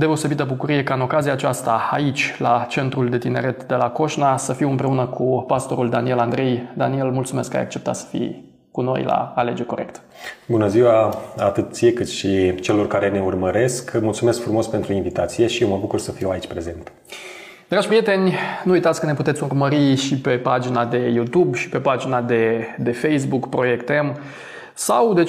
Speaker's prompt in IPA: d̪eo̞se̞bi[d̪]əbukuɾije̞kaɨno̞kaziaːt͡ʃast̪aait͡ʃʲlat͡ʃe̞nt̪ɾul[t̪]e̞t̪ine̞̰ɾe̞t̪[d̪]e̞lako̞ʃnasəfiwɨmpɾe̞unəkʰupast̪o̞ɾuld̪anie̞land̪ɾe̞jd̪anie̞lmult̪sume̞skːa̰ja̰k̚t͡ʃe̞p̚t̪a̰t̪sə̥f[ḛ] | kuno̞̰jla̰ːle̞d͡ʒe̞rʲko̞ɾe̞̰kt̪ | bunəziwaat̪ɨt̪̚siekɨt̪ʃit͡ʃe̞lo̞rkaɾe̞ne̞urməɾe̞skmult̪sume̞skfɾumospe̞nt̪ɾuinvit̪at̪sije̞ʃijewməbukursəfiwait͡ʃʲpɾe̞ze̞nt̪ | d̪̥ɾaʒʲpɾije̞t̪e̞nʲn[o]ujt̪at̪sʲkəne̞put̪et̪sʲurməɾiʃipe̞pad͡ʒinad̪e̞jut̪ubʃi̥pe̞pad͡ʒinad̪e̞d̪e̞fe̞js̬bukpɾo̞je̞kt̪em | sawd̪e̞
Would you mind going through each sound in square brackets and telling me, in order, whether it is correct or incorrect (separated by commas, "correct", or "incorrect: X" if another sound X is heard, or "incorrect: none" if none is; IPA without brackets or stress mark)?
incorrect: t̪, incorrect: d̪, correct, incorrect: ḭ, incorrect: u